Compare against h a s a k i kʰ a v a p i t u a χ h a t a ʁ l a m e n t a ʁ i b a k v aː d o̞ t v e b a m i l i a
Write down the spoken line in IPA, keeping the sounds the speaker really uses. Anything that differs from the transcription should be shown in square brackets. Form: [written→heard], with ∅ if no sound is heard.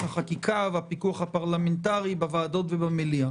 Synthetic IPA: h a [s→χ] a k i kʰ a v a p i [t→k] u a χ h a [t→p] a ʁ l a m e n t a ʁ i b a [k→∅] v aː d o̞ t v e b a m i l i a